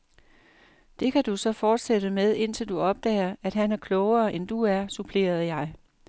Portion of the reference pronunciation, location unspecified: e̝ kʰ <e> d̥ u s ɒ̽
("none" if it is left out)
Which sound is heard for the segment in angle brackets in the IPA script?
æ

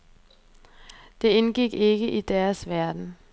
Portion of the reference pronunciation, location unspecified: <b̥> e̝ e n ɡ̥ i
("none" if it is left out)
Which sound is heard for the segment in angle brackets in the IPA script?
d̥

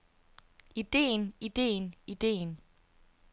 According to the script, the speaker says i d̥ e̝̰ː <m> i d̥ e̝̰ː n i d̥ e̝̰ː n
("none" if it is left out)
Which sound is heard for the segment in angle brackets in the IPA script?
n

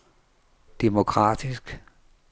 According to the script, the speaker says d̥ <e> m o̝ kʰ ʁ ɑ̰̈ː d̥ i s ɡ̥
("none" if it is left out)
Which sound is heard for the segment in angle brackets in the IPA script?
e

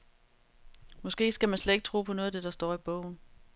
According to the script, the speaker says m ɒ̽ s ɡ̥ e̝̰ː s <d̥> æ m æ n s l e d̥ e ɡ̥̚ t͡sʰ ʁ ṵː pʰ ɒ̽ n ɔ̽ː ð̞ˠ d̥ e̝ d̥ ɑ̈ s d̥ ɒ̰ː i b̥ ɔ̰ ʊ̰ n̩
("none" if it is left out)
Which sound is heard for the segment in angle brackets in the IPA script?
ɡ̥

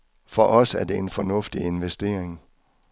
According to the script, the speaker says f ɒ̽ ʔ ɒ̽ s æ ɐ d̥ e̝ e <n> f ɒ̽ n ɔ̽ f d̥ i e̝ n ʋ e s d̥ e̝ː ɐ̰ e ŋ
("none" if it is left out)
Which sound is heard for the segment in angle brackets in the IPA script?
n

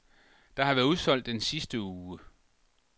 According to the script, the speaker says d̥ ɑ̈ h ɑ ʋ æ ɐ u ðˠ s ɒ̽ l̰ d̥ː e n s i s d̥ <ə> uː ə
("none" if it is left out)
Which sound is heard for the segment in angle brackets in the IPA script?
ə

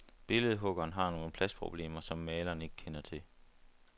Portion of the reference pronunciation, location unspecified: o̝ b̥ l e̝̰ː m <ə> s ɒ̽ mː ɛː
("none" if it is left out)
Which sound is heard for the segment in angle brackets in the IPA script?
ɐ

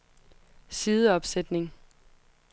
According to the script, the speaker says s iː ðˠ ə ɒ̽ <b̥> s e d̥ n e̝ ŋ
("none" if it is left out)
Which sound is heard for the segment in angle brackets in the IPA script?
b̥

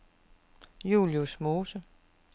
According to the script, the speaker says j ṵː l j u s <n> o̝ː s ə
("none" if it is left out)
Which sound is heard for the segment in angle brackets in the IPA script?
m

